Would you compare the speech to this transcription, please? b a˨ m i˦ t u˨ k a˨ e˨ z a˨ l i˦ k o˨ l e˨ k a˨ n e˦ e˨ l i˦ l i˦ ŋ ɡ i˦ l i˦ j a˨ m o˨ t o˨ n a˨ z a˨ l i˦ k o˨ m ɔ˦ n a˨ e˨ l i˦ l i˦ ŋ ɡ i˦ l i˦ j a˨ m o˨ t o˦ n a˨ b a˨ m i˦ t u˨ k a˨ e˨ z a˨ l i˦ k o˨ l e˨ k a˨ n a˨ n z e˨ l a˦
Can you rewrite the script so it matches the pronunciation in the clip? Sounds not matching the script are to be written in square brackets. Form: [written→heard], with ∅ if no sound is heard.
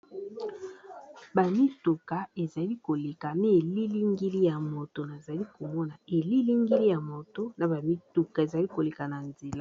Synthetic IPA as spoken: b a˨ m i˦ t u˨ k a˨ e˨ z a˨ l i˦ k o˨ l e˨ k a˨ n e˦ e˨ l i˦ l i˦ ŋ ɡ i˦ l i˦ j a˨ m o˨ t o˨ n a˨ z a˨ l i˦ k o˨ m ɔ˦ n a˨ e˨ l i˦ l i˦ ŋ ɡ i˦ l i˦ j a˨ m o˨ t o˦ n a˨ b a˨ m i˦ t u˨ k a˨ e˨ z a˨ l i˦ k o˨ l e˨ k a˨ n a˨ n z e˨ l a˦